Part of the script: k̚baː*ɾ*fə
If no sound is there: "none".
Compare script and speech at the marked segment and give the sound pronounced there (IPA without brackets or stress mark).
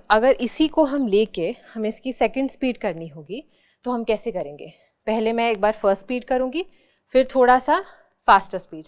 ɾ